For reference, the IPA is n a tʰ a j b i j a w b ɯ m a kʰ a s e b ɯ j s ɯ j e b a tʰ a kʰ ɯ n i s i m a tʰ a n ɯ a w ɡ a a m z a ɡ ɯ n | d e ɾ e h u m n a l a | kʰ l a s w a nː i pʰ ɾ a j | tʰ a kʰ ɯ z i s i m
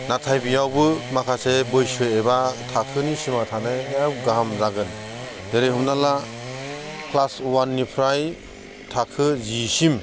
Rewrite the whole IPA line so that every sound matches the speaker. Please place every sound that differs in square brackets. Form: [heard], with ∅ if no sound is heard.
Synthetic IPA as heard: n a tʰ a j b i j a w b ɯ m a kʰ a s e b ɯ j s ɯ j e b a tʰ a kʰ ɯ n i s i m a tʰ a n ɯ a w ɡ a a m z a ɡ ɯ n | d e ɾ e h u m n a l a | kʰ l a s w a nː i pʰ ɾ a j | tʰ a kʰ ɯ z i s i m